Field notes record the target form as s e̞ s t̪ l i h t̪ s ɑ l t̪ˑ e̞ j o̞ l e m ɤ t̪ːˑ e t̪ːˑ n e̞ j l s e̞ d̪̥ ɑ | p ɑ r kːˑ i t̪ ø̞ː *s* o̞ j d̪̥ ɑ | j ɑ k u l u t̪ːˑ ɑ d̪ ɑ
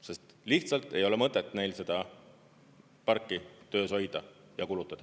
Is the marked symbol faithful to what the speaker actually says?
yes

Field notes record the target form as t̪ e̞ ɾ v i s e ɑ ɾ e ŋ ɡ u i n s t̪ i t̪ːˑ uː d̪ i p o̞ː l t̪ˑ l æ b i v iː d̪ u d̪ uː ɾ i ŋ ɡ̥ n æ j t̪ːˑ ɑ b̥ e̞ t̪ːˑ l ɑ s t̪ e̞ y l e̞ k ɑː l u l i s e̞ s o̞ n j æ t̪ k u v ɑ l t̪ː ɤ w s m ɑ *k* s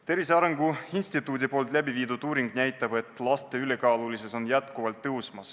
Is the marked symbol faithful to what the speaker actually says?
no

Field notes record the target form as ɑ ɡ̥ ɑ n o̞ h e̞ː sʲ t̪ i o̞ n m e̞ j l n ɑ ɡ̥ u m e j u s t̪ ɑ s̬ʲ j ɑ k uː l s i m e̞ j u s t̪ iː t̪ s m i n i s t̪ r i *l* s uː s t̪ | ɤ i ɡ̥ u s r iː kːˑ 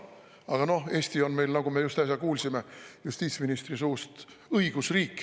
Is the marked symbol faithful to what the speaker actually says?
no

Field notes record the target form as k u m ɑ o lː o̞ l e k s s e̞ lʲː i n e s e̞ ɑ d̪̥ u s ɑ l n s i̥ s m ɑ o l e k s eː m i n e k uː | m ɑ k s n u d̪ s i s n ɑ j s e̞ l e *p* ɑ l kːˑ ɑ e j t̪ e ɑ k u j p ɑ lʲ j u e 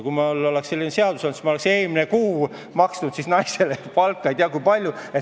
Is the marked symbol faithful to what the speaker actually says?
yes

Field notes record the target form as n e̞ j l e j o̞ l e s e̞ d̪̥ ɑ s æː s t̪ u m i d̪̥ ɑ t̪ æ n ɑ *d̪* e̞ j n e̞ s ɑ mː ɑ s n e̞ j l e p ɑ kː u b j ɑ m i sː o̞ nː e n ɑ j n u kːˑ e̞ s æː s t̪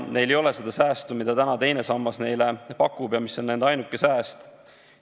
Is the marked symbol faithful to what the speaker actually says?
no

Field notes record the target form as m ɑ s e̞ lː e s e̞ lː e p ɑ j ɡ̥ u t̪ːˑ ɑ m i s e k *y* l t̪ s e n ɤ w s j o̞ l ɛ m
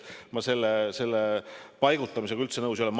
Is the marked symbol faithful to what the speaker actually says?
yes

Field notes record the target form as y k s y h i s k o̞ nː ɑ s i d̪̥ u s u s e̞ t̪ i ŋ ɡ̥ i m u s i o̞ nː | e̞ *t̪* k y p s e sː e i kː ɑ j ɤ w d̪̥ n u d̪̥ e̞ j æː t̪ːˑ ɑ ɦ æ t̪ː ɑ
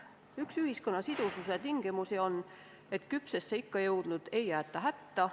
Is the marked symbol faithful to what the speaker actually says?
yes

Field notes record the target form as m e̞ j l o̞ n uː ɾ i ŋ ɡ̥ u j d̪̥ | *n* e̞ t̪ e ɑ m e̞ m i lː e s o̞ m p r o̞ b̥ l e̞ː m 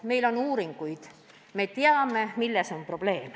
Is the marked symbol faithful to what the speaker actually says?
no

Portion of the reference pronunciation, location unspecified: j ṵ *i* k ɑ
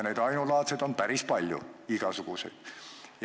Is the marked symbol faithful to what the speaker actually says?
yes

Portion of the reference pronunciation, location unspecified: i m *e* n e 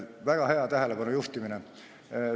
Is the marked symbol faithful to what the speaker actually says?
no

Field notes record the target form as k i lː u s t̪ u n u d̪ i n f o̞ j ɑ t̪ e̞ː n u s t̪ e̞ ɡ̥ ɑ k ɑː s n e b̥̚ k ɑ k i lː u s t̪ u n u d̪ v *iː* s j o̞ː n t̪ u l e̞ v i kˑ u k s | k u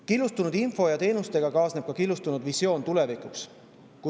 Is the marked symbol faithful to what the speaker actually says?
no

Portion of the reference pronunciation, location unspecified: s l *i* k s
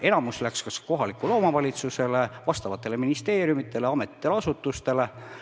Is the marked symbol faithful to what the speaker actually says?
no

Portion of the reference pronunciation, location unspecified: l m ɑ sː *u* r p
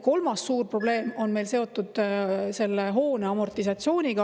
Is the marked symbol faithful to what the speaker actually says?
no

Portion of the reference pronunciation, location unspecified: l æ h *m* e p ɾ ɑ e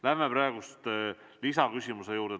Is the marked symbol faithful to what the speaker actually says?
yes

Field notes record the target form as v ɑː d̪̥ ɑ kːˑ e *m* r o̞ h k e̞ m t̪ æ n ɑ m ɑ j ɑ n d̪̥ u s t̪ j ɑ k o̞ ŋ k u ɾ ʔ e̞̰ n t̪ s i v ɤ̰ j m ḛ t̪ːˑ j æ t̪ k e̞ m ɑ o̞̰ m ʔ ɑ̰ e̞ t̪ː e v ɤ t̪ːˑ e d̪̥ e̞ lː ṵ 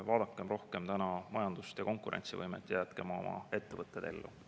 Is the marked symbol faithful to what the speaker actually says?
yes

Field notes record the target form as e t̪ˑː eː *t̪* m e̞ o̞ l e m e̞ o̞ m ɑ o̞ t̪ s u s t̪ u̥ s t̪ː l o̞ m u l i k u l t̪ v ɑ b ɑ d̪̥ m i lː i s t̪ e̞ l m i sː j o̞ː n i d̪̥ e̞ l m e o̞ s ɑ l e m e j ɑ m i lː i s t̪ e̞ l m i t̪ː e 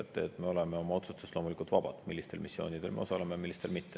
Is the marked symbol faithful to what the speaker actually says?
yes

